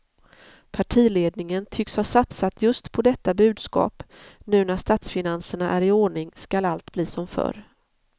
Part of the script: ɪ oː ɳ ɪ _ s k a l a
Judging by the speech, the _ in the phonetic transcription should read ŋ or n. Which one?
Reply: ŋ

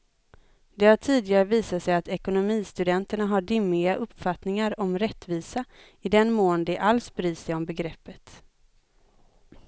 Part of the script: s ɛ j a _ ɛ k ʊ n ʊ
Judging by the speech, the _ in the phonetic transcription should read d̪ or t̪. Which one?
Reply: t̪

